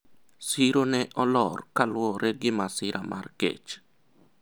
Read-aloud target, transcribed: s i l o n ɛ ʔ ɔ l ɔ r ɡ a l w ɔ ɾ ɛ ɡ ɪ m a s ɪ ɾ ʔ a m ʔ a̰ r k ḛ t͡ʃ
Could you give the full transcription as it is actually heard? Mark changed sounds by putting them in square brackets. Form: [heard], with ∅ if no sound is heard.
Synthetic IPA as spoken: s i [ɾ] o n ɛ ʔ ɔ l ɔ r [k] a l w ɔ ɾ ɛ ɡ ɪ m a s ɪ ɾ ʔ a m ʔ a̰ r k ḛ t͡ʃ